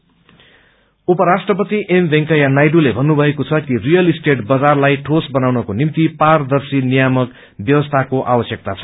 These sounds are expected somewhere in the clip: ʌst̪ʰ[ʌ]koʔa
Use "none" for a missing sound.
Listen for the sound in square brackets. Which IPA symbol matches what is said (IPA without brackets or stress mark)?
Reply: a